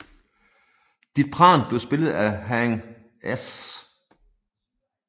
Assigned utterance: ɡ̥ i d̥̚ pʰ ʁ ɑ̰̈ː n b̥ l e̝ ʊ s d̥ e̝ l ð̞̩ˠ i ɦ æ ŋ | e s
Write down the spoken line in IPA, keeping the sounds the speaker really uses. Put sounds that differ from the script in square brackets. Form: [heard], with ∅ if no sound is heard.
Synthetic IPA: [d̥] i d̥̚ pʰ ʁ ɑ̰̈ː n b̥ l e̝ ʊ s [b̥] e̝ l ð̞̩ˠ [æ] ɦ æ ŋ | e s